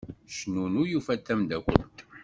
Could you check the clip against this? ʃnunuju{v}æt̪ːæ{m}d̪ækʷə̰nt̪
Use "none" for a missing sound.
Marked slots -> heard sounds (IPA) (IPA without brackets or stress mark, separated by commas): f, m